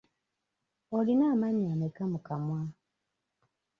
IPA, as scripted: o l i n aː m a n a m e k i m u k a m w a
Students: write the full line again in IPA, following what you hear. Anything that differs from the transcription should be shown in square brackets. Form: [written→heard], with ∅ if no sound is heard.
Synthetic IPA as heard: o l i n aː m a [n→ɲ] a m e k [i→a] m u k a m w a